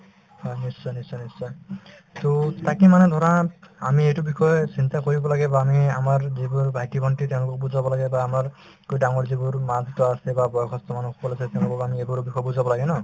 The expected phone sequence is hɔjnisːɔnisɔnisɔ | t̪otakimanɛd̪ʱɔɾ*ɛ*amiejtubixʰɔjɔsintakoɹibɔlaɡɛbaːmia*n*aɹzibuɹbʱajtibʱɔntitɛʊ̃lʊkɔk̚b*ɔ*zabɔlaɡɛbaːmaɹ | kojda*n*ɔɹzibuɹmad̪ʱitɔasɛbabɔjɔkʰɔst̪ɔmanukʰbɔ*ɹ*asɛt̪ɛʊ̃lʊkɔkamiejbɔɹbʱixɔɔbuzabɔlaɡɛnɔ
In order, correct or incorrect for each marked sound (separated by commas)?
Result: incorrect, incorrect, incorrect, incorrect, incorrect